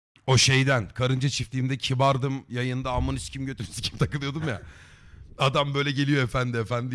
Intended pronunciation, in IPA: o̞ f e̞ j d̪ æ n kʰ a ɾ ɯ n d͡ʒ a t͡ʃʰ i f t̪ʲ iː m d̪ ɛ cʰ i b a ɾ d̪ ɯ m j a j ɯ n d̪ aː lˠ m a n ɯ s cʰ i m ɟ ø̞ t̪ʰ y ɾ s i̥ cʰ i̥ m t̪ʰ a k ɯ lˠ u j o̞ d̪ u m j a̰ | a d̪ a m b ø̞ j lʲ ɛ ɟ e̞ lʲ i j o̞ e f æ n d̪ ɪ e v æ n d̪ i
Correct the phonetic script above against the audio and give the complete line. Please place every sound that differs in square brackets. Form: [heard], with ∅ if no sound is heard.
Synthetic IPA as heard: o̞ [ʃ] e̞ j d̪ æ n kʰ a ɾ ɯ n d͡ʒ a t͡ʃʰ i f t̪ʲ iː m d̪ ɛ cʰ i b a ɾ d̪ ɯ m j a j ɯ n d̪ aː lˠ m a n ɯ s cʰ i m ɟ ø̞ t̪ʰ y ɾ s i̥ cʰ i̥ m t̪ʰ a k ɯ lˠ [ɯ] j o̞ d̪ u m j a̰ | a d̪ a m b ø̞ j lʲ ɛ ɟ e̞ lʲ i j o̞ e f æ n d̪ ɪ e [f] æ n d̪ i

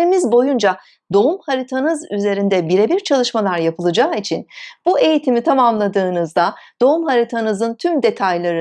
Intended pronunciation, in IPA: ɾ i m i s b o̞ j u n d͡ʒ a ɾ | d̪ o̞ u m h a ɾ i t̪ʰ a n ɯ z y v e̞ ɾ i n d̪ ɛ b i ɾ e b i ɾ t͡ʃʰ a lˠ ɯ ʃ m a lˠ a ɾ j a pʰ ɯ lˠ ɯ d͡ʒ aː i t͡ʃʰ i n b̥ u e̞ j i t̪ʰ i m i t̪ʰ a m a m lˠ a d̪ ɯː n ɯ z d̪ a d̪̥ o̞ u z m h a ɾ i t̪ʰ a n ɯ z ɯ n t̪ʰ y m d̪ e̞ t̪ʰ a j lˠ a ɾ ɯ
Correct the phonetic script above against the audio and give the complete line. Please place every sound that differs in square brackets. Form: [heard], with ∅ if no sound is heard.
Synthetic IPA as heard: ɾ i m i [z] b o̞ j u n d͡ʒ a [∅] | d̪ o̞ u m h a ɾ i t̪ʰ a n ɯ z y [z] e̞ ɾ i n d̪ ɛ b i ɾ e b i ɾ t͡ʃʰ a lˠ ɯ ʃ m a lˠ a ɾ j a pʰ ɯ lˠ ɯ d͡ʒ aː i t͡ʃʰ i n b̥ u e̞ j i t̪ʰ i m i t̪ʰ a m a m lˠ a d̪ ɯː n ɯ z d̪ a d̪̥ o̞ u [∅] m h a ɾ i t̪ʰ a n ɯ z ɯ n t̪ʰ y m d̪ e̞ t̪ʰ a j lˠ a ɾ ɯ

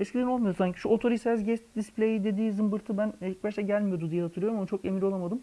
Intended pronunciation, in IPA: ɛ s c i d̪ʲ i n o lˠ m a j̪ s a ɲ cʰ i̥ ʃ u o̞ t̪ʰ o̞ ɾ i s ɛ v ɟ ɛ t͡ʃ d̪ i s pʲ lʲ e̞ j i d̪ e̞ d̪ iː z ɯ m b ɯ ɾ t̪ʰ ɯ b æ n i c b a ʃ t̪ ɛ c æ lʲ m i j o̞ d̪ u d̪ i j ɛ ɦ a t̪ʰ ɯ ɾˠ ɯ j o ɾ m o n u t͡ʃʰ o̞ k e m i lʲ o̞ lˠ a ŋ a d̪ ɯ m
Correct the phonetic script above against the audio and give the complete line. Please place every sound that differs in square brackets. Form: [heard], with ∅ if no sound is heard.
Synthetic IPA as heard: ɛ s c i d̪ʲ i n o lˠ m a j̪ s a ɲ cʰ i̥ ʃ u o̞ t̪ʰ o̞ ɾ i s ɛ [z] ɟ ɛ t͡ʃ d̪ i s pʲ lʲ e̞ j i d̪ e̞ d̪ iː z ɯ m b ɯ ɾ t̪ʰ ɯ b æ n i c b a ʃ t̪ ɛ [ɟ] æ lʲ m i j o̞ d̪ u d̪ i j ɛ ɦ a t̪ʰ ɯ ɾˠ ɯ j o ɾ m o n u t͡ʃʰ o̞ k e m i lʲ o̞ lˠ a [m] a d̪ ɯ m

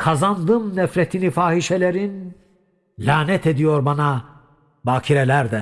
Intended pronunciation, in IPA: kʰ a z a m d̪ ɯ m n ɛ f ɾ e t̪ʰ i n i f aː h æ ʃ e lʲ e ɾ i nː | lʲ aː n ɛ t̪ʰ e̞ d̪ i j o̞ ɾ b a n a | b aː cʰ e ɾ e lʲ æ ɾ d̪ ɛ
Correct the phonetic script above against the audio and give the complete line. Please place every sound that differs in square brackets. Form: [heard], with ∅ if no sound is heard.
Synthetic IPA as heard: kʰ a z a [n] d̪ ɯ m n ɛ f ɾ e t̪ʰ i n i f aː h [i] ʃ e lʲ e ɾ i [n] | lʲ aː n ɛ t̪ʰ e̞ d̪ i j o̞ ɾ b a n a | b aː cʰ [i] ɾ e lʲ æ ɾ d̪ ɛ

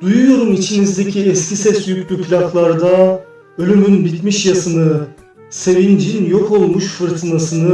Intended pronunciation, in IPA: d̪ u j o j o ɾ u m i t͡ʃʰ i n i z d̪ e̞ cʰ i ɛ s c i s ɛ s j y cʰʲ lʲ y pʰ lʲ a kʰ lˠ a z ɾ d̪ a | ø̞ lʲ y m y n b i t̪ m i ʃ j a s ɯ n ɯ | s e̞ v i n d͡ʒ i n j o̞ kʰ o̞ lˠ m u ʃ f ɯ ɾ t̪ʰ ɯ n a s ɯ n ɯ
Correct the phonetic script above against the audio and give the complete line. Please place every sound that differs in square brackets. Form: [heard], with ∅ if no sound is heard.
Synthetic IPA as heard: d̪ u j [u] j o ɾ u m i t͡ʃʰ i n i z d̪ e̞ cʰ i ɛ s c i s ɛ s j y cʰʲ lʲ y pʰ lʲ a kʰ lˠ a [∅] ɾ d̪ a | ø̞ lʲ y m y n b i t̪ m i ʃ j a s ɯ n ɯ | s e̞ v i n d͡ʒ i n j o̞ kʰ o̞ lˠ m u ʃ f ɯ ɾ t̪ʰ ɯ n a s ɯ n ɯ

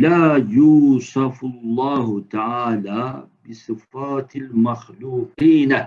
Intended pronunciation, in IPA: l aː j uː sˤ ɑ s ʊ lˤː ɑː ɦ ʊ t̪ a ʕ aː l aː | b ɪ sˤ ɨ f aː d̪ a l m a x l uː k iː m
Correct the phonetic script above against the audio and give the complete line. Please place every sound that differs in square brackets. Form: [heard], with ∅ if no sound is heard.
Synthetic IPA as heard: l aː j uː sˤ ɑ [f] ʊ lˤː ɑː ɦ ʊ t̪ a ʕ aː l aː | b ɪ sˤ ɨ f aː [t̪] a l m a x l uː [q] iː [n]

